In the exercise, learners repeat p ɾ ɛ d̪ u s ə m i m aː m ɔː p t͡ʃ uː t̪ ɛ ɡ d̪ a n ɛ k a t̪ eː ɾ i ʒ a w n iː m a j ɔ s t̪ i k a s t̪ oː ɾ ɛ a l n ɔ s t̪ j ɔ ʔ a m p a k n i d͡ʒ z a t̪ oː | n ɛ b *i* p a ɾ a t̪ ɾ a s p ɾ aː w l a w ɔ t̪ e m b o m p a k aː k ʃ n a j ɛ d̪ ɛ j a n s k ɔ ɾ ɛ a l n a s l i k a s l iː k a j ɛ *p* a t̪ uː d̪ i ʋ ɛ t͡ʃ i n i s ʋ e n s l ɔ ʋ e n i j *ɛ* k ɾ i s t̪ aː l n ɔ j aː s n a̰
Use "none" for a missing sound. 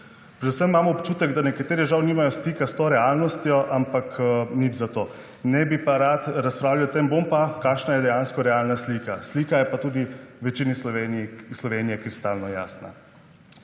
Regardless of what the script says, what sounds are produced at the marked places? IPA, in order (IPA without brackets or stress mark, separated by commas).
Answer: i, p, ɛ